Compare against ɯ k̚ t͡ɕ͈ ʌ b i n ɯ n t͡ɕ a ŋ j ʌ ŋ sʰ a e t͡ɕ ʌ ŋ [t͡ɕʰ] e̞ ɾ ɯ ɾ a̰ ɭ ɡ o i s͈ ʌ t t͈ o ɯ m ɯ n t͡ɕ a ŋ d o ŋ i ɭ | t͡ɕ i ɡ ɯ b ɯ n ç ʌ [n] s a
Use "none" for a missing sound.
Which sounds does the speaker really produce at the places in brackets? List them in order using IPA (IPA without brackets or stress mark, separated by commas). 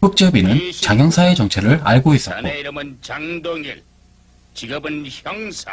t͡ɕʰ, ŋ